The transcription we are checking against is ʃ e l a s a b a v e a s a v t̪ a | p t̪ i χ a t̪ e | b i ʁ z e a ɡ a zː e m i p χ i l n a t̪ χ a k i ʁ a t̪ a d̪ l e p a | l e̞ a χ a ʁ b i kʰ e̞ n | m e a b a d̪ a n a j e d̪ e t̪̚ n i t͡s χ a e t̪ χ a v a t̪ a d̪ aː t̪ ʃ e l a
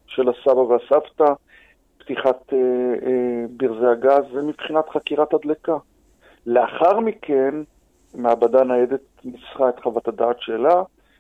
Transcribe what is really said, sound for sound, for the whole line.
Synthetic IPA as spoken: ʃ e l a s a b a v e a s a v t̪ a | p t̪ i χ a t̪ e | b i ʁ z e a ɡ a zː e m i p χ i n a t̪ χ a k i ʁ a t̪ a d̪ l e k a | l e̞ a χ a ʁ m i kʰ e̞ n | m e a b a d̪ a n a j e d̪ e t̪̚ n i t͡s χ a e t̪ χ a v a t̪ a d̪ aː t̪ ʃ e l a